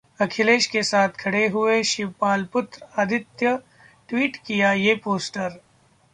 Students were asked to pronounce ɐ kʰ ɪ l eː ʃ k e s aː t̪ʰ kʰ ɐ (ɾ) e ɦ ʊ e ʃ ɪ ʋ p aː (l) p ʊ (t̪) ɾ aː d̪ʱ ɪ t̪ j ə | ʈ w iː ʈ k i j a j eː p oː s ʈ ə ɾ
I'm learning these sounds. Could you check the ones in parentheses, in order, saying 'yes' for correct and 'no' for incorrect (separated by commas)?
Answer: no, yes, yes